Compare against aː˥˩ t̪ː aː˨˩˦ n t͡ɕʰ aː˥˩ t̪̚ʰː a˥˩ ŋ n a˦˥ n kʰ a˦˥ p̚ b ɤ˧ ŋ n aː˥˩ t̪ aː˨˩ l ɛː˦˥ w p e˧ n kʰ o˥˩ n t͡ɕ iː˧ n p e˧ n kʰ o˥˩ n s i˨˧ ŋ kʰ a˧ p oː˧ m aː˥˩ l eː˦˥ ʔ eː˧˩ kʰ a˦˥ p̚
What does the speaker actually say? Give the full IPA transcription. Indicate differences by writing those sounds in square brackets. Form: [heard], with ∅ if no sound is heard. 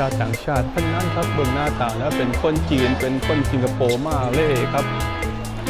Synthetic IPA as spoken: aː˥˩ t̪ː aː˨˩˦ [ŋ] t͡ɕʰ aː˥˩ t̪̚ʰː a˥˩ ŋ n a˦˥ n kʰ a˦˥ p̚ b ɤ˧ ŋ n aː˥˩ t̪ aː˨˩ l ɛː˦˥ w p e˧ n kʰ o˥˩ n t͡ɕ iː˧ n p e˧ n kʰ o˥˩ n s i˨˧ ŋ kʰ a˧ p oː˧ m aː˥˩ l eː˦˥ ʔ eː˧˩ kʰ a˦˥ p̚